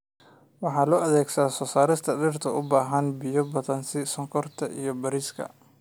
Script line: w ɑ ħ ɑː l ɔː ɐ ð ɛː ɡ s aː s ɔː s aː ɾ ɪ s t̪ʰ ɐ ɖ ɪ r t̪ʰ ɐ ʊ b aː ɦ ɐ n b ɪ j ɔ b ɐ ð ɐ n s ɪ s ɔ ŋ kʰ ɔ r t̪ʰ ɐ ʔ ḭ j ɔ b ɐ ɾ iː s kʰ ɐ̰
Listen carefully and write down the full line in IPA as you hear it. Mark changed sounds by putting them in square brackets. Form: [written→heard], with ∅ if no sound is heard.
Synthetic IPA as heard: w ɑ ħ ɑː l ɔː ɐ ð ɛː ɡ s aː s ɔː s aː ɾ ɪ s t̪ʰ ɐ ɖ ɪ r t̪ʰ ɐ ʊ b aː ɦ ɐ n b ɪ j ɔ b ɐ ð ɐ n s ɪ s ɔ ŋ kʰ ɔ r t̪ʰ ɐ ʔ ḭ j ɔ b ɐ ɾ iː s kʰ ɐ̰